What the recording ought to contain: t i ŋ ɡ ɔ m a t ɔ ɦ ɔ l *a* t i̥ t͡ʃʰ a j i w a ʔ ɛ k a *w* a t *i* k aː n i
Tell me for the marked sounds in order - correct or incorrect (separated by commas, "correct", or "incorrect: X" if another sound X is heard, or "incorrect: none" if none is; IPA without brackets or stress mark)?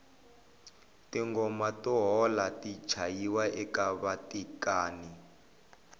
correct, incorrect: β, correct